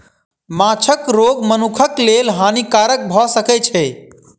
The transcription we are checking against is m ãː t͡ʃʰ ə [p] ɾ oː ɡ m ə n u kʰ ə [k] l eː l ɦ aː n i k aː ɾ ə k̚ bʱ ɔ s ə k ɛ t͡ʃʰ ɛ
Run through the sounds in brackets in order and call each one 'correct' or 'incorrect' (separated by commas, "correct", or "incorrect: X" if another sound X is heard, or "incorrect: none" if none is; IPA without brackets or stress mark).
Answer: incorrect: k, correct